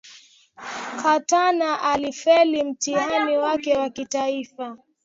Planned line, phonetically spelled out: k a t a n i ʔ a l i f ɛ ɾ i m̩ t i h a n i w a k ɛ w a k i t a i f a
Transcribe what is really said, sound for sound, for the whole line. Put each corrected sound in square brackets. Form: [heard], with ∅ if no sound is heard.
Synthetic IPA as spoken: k a t a n [a] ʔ a l i f ɛ [l] i m̩ t i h a n i w a k ɛ w a k i t a i f a